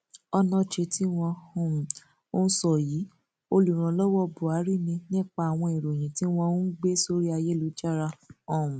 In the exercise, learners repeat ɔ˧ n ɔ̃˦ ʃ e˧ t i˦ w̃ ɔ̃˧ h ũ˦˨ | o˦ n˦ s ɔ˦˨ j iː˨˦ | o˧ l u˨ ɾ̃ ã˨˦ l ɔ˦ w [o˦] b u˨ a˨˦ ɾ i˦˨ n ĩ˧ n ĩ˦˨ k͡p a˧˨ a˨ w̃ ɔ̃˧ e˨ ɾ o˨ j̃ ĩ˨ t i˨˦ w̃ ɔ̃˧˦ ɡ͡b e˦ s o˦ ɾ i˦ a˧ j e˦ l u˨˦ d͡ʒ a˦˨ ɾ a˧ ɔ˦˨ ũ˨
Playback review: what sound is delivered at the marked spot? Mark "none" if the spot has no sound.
ɔ˦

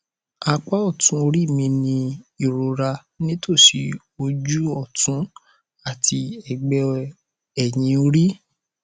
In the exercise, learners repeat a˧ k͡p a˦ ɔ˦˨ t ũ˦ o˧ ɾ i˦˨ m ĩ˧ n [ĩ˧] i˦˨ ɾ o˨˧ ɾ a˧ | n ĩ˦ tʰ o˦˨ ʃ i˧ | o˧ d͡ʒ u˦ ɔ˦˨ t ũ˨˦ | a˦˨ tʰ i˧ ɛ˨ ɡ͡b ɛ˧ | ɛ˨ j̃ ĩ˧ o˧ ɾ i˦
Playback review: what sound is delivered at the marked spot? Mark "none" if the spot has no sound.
ĩ˧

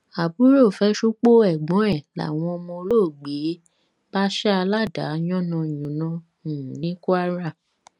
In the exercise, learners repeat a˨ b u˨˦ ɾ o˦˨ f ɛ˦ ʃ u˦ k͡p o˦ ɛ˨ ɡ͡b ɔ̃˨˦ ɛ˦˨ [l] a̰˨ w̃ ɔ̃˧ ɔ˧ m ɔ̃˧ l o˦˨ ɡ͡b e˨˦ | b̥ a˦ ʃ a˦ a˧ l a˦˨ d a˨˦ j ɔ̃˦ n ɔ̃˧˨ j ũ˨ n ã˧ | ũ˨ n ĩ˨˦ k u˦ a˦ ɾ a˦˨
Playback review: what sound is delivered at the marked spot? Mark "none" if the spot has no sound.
l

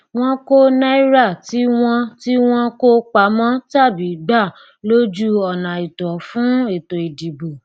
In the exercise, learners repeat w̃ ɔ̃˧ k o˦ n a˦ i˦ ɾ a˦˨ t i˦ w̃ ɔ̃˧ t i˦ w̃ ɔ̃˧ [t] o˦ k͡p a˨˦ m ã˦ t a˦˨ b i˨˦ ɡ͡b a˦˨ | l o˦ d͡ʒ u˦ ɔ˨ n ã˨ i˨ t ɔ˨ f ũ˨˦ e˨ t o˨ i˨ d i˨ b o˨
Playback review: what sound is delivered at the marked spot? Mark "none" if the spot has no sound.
k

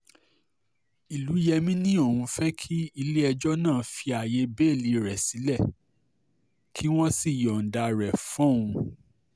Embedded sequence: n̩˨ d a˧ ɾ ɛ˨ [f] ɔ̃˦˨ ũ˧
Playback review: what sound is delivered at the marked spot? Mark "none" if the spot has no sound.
f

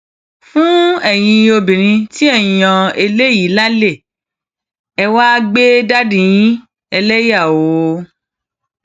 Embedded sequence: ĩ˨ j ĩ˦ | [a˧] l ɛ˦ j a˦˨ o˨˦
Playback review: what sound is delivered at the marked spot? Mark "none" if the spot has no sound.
ɛ˧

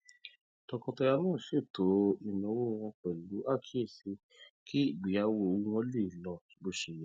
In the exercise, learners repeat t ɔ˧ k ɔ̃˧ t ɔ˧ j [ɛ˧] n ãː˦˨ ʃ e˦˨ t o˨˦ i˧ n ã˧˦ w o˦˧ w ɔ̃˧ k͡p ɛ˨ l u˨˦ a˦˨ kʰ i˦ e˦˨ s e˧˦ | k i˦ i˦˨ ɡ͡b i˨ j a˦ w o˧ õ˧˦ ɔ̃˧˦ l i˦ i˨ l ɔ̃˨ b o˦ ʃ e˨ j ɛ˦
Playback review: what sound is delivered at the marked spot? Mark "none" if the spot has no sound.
a˧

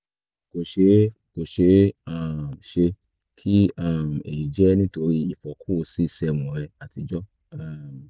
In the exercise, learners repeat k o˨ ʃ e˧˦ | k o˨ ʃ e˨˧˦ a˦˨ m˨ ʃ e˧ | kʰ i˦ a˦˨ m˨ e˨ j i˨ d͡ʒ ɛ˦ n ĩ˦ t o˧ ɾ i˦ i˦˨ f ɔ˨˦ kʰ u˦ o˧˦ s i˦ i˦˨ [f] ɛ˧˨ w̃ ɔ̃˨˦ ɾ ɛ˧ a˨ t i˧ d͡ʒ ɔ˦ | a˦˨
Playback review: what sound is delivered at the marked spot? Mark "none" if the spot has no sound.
s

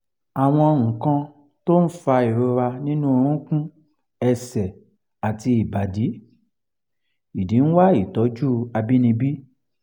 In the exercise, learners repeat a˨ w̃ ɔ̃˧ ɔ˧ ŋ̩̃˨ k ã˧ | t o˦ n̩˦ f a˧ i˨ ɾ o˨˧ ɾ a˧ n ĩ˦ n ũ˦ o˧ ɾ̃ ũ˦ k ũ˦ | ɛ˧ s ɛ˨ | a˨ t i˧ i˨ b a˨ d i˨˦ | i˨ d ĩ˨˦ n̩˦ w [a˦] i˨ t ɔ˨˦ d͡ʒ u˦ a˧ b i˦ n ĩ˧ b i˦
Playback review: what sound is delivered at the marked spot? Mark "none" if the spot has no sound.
a˦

